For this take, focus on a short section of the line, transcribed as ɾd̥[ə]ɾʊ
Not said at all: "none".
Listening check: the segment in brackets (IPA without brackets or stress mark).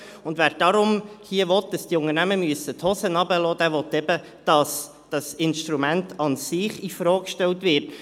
ɑ